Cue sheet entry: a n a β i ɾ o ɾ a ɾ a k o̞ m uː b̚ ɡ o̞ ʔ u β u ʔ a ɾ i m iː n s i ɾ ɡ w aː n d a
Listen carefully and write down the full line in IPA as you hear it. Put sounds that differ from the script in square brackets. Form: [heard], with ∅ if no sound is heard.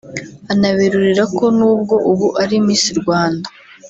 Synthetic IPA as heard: a n a β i ɾ [u] ɾ [i] ɾ a k o̞ [n] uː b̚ ɡ o̞ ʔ u β u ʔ a ɾ i m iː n s i ɾ ɡ w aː n d a

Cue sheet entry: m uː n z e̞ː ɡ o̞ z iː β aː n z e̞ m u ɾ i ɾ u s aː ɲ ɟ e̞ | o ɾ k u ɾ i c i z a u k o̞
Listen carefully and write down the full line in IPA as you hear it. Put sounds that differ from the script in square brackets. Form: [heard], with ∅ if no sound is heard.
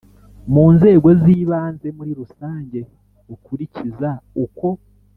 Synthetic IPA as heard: m uː n z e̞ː ɡ o̞ z iː β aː n z e̞ m u ɾ i ɾ u s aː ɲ ɟ e̞ | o [∅] k u ɾ i c i z a u k o̞

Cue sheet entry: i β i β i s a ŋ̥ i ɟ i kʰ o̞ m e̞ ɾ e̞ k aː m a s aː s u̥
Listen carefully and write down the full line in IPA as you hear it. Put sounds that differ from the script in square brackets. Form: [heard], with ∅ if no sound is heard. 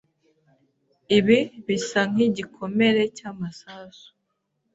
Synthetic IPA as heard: i β i β i s a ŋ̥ i ɟ i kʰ o̞ m e̞ ɾ e̞ [c] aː m a s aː s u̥

